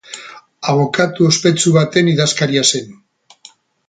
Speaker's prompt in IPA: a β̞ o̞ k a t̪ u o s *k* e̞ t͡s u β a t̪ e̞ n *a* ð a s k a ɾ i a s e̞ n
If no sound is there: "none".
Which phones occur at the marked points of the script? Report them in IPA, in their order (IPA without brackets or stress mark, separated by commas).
p, i